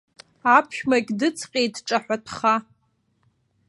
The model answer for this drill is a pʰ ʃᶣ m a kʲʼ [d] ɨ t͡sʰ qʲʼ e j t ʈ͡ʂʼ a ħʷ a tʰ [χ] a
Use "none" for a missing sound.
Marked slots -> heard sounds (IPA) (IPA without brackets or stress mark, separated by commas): d, χ